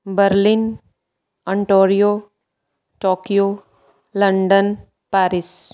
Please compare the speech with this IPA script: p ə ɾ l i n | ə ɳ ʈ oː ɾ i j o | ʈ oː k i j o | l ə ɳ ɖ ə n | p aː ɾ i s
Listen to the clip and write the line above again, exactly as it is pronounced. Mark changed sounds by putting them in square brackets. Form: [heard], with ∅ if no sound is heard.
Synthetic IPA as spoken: [b] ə ɾ l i n | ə ɳ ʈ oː ɾ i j o | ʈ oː k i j o | l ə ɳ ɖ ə n | p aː ɾ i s

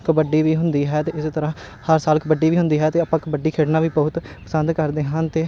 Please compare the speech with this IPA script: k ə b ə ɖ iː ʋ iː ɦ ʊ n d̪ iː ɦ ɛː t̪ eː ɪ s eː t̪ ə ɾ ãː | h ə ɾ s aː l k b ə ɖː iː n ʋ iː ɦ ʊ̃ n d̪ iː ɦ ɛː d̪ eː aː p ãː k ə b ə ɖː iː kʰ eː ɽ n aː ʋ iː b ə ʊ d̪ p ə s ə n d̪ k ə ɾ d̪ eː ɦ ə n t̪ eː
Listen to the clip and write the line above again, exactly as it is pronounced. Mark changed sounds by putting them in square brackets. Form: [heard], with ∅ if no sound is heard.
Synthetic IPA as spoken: k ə b ə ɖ iː ʋ iː ɦ ʊ n d̪ iː ɦ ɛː t̪ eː ɪ s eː t̪ ə ɾ ãː | h ə ɾ s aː l k b ə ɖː iː [∅] ʋ iː ɦ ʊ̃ n d̪ iː ɦ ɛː [t̪] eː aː p ãː k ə b ə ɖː iː kʰ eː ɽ n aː ʋ iː b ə ʊ [t̪] p ə s ə n d̪ k ə ɾ d̪ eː ɦ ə n t̪ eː

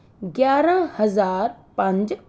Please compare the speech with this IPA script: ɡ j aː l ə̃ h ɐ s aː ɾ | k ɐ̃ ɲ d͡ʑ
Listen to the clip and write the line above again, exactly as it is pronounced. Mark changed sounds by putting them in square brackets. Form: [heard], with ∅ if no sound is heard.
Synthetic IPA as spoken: ɡ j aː [ɾ] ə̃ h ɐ [z] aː ɾ | [p] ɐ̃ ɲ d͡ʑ

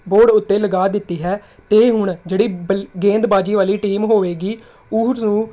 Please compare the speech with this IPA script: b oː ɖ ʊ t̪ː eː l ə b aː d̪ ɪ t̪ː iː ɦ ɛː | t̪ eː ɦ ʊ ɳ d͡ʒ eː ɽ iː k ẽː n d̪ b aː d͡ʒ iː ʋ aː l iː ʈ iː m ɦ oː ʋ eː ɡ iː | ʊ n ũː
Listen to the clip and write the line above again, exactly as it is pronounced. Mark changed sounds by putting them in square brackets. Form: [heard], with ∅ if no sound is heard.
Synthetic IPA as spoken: b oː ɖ ʊ t̪ː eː l ə [ɡ] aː d̪ ɪ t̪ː iː ɦ ɛː | t̪ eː ɦ ʊ ɳ d͡ʒ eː ɽ iː [ɡ] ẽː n d̪ b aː d͡ʒ iː ʋ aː l iː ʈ iː m ɦ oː ʋ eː ɡ iː | ʊ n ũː

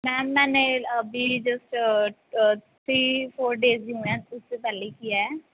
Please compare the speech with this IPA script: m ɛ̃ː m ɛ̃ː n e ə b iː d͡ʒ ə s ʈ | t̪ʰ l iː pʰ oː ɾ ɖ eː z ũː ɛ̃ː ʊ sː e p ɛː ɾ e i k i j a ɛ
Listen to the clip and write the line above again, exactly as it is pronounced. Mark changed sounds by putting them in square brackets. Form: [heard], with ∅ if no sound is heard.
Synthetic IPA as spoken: m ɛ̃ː m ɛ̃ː n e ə b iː d͡ʒ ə s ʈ | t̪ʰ [ɾ] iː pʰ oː ɾ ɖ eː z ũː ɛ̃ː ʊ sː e p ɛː [l] e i k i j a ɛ

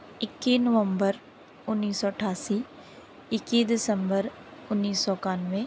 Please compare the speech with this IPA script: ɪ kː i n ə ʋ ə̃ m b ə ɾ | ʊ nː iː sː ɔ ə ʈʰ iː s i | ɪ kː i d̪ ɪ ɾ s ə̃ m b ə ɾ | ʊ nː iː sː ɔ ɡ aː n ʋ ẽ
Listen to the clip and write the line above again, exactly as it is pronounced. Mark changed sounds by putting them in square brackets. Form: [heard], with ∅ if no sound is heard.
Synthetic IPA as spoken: ɪ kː i n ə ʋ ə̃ m b ə ɾ | ʊ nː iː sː ɔ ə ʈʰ [aː] s i | ɪ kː i d̪ ɪ [∅] s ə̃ m b ə ɾ | ʊ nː iː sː ɔ [k] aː n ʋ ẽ

